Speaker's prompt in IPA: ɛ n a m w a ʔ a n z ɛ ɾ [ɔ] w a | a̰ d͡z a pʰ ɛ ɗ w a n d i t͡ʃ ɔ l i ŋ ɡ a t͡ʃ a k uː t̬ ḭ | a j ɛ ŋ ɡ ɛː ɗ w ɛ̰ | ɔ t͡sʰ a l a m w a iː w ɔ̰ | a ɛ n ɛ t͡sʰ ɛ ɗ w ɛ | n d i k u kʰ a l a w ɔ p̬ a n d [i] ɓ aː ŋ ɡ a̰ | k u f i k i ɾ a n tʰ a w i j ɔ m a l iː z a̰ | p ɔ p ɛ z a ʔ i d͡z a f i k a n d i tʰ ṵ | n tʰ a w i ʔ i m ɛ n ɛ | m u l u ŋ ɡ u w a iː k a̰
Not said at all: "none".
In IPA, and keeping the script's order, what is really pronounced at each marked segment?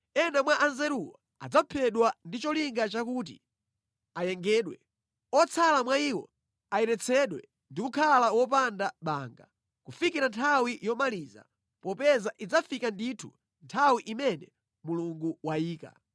u, a

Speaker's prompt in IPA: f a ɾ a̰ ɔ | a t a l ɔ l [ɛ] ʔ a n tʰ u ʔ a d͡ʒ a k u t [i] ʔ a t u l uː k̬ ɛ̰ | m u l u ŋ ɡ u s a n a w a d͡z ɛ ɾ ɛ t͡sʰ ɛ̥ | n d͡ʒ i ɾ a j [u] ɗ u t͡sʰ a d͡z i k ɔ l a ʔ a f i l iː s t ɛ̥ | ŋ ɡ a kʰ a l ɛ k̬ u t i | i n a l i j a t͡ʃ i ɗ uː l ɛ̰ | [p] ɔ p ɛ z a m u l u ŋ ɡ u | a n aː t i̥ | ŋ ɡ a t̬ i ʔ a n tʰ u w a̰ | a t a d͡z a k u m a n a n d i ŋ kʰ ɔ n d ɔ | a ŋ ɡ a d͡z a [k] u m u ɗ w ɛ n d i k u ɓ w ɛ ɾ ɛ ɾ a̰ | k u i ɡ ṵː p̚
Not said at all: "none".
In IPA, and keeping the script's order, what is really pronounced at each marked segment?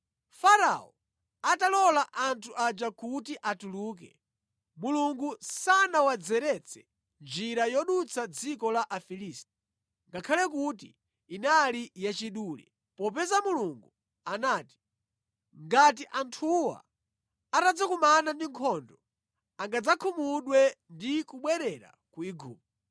a, i, ɔ, p, kʰ

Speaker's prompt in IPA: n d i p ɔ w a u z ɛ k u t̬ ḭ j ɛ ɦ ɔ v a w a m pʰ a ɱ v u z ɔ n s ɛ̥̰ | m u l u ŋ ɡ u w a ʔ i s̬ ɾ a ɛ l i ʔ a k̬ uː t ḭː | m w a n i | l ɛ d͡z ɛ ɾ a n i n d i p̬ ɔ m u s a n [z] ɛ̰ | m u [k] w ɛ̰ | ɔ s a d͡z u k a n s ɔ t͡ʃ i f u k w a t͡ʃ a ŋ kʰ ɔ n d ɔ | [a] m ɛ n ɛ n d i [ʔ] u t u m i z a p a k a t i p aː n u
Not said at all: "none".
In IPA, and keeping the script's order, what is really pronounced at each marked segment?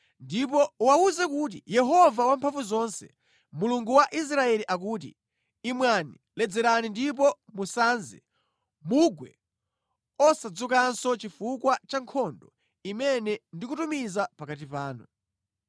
z, ɡ, i, k

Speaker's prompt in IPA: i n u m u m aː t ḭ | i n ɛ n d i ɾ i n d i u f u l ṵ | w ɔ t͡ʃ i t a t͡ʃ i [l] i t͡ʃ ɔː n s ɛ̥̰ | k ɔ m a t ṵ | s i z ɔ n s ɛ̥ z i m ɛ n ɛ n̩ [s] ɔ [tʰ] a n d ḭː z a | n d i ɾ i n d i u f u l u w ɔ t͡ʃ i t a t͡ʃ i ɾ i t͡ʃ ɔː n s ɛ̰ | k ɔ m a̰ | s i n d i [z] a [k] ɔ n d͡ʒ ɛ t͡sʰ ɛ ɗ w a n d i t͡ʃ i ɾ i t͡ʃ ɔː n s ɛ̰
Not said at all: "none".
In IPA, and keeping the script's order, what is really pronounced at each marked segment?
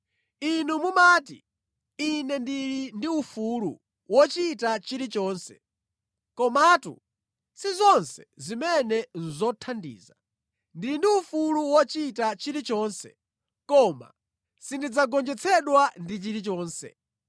ɾ, z, tʰ, d͡z, ɡ

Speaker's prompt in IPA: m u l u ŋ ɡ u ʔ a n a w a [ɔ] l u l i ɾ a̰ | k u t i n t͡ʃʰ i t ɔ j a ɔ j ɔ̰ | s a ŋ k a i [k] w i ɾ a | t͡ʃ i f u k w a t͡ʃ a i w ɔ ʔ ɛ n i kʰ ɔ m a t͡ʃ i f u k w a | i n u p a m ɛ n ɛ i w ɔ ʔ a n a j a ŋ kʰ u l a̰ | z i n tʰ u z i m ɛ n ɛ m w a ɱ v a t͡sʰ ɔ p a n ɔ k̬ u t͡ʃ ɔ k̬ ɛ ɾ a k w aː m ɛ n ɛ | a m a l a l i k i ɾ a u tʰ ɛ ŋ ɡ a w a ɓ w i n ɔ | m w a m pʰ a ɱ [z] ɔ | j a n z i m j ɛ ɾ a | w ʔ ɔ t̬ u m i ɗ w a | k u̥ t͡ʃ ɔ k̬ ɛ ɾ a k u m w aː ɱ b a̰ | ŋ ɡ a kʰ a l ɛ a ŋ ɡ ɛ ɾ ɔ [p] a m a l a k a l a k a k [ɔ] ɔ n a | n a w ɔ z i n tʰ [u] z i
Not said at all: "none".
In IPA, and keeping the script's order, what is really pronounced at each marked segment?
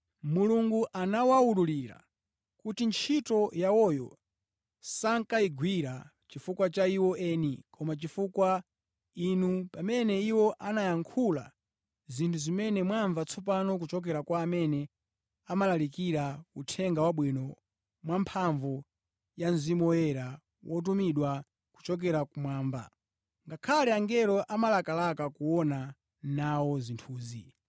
u, ɡ, v, ʔ, u, uː

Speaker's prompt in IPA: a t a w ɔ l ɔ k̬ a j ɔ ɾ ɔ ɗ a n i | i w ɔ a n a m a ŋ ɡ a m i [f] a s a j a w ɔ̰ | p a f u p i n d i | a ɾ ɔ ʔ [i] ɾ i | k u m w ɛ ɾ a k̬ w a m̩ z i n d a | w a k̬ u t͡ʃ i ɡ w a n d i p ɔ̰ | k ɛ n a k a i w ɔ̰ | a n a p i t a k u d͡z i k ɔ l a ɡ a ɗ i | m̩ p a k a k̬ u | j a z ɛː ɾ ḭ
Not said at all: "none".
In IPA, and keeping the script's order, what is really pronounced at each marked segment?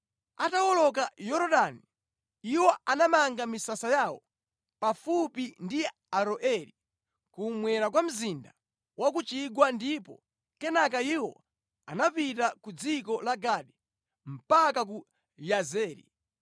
s, ɛ

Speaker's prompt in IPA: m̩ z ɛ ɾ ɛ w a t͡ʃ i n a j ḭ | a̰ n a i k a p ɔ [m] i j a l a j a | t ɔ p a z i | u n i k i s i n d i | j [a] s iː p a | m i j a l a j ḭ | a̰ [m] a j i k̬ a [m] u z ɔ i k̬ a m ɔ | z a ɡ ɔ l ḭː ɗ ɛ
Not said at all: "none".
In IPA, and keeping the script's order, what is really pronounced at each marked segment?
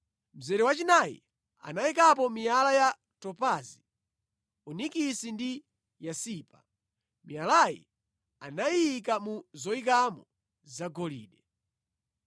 m, a, n, m

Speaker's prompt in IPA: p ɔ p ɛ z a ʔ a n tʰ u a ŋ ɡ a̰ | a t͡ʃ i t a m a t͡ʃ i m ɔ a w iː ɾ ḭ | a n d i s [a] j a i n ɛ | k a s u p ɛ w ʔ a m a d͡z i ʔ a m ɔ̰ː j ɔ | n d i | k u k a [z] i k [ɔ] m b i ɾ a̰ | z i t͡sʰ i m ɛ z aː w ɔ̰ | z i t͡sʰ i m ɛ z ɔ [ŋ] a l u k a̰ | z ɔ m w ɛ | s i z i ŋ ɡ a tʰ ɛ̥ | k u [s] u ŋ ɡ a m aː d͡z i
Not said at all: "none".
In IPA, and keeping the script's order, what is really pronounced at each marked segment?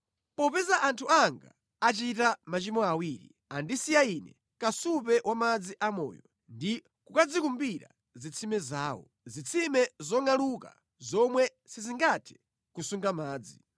i, d͡z, u, ŋ, s

